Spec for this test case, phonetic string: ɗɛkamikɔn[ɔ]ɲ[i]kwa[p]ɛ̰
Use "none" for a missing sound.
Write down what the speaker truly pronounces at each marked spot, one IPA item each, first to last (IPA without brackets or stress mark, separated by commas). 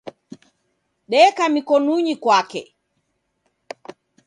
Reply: u, i, k